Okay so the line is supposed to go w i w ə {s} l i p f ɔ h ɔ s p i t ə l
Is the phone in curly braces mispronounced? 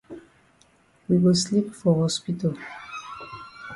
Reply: no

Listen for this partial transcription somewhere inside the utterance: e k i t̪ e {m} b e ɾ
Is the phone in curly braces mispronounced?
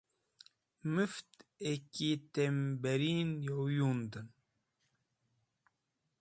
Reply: no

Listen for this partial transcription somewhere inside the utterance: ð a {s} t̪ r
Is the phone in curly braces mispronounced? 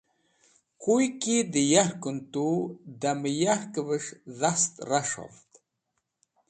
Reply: no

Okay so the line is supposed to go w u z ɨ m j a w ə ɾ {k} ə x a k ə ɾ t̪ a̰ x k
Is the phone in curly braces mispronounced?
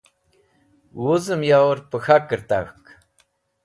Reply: yes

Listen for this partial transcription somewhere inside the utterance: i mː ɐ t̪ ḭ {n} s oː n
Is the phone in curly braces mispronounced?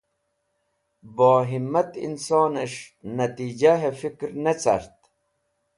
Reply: no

